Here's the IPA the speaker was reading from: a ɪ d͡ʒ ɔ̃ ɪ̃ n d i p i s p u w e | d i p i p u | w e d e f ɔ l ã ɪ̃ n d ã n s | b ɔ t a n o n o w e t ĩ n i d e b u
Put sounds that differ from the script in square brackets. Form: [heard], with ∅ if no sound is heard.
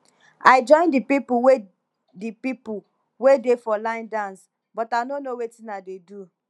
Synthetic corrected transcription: a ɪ d͡ʒ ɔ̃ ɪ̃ n d i p i [∅] p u w e | d i p i p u | w e d e f ɔ l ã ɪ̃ n d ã n s | b ɔ t a n o n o w e t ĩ n [a] d e [d] u